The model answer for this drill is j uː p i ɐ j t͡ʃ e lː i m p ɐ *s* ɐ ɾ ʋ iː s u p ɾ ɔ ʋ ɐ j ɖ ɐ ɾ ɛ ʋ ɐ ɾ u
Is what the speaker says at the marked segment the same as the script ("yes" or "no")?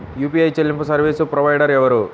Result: yes